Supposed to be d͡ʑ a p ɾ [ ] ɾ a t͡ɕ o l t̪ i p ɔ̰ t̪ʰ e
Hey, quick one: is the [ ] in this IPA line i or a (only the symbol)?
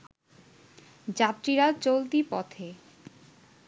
i